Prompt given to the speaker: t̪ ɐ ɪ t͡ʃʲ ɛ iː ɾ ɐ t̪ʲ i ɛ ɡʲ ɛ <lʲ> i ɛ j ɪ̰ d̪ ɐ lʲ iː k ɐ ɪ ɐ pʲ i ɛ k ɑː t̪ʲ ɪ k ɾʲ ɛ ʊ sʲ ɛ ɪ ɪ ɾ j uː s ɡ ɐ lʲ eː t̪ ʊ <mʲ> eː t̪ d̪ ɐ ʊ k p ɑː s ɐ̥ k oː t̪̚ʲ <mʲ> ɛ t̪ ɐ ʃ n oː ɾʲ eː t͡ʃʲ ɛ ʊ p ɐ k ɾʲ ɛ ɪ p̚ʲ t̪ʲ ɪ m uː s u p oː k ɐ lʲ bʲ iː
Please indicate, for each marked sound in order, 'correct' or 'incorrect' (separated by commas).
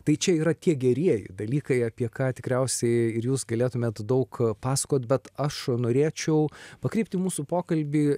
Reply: incorrect, correct, incorrect